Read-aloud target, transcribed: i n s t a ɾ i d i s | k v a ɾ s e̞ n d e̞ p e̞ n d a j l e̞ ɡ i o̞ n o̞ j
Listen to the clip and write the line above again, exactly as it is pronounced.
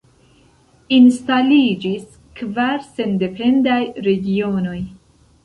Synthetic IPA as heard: i n s t a l i d͡ʒ i s | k v a ɾ s e̞ n d e̞ p e̞ n d a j ɾ e̞ ɡ i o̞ n o̞ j

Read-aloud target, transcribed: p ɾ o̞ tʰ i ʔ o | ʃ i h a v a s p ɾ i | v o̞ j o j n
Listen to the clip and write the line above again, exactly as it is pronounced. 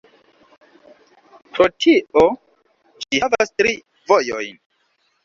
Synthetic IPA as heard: p ɾ o̞ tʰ i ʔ o | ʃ i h a v a s t ɾ i | v o̞ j o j n

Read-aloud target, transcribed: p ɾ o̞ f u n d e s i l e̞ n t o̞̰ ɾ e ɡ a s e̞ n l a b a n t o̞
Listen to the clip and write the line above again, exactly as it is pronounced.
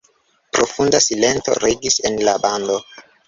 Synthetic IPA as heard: p ɾ o̞ f u n d a s i l e̞ n t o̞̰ ɾ e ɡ i s e̞ n l a b a n d o̞

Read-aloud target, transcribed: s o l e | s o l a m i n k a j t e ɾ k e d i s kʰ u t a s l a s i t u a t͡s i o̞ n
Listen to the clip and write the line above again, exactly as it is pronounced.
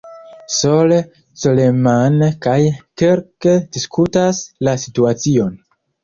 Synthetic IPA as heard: s o l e | s o l e m a n k a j k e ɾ k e d i s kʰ u t a s l a s i t u a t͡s i o̞ n

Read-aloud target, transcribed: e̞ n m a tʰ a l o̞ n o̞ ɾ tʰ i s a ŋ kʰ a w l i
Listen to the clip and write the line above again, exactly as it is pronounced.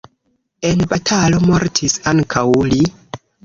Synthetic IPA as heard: e̞ n b a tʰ a l o̞ m o̞ ɾ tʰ i s a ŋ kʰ a w l i

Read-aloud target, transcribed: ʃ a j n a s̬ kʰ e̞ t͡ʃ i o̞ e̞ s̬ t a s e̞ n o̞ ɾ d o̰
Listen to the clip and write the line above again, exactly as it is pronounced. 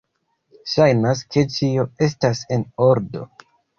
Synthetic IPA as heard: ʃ a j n a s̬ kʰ e̞ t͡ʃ i o̞ e̞ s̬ t a s e̞ n o̞ ɾ d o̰

